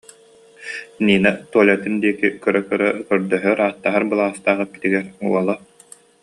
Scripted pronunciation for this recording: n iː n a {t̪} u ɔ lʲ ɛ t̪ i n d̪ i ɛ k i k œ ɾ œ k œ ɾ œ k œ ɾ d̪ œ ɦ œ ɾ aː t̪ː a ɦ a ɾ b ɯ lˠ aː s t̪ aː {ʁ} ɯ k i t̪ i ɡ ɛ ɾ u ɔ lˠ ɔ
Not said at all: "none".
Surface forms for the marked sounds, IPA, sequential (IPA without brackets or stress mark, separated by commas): t̪, ʁ